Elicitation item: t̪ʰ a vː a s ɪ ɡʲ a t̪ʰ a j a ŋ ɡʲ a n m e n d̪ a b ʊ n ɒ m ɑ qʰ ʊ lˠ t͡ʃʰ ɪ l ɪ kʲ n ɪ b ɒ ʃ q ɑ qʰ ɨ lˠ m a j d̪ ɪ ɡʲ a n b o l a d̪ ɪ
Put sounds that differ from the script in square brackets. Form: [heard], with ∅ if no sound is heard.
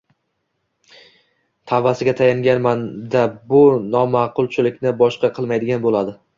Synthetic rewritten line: t̪ʰ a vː a s ɪ ɡʲ a t̪ʰ a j a ŋ ɡʲ a n m [a] n d̪ a b ʊ n ɒ m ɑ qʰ ʊ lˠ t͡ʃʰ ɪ l ɪ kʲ n ɪ b ɒ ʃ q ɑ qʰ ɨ lˠ m a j d̪ ɪ ɡʲ a n b o l a d̪ ɪ